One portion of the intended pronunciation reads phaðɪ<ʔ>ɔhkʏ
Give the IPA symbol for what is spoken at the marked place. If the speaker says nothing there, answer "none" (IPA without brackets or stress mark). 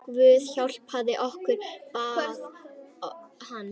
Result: ʔ